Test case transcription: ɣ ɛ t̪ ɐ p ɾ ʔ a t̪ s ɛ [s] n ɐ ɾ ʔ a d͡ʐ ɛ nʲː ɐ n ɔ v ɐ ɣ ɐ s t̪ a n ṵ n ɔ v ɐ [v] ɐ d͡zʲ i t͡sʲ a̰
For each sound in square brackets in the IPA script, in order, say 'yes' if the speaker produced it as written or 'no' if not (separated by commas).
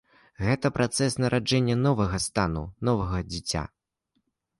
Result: yes, no